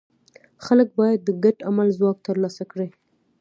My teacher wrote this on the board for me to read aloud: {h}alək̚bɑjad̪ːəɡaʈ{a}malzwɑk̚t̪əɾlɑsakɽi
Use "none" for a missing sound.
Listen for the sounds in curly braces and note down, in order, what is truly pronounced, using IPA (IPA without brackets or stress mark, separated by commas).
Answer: x, a